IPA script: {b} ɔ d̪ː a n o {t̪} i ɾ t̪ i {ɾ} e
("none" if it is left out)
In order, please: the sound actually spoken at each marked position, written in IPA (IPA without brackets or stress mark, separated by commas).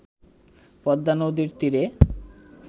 p, d̪, ɾ